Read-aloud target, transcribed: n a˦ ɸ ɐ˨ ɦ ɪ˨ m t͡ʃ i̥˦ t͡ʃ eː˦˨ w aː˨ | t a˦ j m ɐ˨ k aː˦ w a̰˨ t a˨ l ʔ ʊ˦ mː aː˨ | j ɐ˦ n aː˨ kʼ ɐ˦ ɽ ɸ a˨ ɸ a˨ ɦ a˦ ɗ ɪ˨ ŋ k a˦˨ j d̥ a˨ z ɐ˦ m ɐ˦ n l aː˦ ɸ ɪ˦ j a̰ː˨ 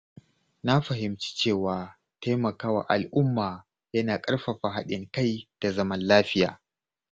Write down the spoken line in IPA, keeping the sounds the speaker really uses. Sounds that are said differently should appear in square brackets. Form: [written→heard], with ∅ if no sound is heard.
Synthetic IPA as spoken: n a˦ ɸ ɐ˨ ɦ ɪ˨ m t͡ʃ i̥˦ t͡ʃ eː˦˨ w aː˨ | t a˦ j m ɐ˨ k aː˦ w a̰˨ [t→ʔ] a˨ l ʔ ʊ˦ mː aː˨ | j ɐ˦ n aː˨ kʼ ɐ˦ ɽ ɸ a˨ ɸ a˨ ɦ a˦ ɗ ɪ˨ ŋ k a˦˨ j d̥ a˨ z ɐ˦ m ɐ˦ n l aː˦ ɸ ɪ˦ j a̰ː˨